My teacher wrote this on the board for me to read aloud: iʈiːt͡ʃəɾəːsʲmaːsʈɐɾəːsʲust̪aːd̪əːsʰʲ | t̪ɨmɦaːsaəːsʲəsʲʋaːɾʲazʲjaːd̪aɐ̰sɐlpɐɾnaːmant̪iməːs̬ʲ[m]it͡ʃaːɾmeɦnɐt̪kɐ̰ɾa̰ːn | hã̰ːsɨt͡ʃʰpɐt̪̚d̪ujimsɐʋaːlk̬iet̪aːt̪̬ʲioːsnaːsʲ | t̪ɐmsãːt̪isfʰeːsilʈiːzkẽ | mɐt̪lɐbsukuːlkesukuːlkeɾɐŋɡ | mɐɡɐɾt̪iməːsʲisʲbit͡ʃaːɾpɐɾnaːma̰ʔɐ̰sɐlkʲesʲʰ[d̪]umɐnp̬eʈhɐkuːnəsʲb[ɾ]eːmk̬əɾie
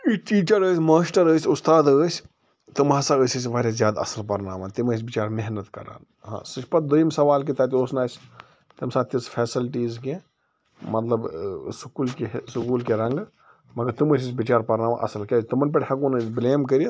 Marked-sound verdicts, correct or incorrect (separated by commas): incorrect, incorrect, incorrect